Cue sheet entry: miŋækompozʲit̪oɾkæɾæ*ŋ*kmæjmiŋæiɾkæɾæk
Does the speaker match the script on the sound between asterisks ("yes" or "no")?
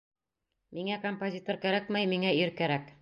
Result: no